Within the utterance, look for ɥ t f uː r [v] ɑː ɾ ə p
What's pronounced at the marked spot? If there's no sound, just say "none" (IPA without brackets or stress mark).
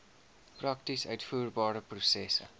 b